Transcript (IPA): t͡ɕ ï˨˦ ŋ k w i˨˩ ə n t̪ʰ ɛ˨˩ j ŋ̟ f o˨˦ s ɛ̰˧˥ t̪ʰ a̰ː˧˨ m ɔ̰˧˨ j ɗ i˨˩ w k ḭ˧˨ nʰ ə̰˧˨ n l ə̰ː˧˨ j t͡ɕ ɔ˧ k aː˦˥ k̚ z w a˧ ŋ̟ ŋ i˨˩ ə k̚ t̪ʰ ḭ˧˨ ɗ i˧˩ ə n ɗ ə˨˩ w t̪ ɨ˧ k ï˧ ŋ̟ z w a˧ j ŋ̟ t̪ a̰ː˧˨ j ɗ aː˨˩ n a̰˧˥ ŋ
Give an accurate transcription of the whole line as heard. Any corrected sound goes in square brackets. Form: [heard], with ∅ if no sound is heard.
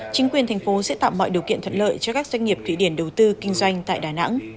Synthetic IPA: t͡ɕ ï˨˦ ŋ k w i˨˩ ə n t̪ʰ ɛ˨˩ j ŋ̟ f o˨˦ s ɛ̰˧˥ [t̪] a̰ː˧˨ m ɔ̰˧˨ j ɗ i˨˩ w k ḭ˧˨ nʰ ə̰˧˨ n l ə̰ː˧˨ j t͡ɕ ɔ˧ k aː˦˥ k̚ z w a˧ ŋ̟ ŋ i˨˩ ə [p̚] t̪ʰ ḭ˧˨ ɗ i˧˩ ə n ɗ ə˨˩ w t̪ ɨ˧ k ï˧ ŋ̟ z w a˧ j ŋ̟ t̪ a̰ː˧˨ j ɗ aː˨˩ n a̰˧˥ ŋ